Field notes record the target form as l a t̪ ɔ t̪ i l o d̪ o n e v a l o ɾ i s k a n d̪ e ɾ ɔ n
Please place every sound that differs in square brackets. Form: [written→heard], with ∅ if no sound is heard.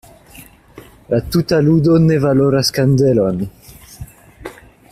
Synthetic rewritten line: l a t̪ [ɔ→u] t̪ [i→a] l [o→u] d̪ o n e v a l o ɾ [i→a] s k a n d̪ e [ɾ→l] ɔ n